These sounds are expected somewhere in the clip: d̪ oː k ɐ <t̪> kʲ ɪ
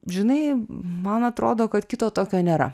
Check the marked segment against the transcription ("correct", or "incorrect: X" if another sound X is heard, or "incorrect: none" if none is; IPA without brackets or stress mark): correct